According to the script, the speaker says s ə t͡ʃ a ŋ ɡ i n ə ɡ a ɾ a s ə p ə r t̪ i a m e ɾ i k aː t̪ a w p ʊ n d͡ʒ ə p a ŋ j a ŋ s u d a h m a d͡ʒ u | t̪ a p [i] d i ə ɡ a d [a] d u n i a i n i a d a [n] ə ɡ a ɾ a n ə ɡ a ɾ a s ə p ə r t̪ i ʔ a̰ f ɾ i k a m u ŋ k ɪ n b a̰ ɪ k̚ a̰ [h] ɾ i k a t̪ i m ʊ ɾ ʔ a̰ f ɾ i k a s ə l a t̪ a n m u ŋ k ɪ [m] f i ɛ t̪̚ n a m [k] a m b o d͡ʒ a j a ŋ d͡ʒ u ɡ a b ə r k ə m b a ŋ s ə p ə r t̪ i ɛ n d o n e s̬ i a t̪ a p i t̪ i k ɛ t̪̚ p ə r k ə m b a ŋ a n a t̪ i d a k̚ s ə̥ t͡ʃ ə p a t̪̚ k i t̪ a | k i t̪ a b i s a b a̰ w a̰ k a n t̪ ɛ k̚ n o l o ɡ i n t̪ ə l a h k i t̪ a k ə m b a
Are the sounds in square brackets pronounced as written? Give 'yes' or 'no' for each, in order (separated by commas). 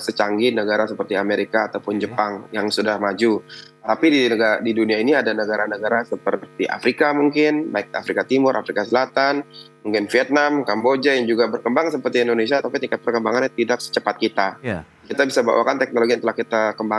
yes, no, yes, no, no, yes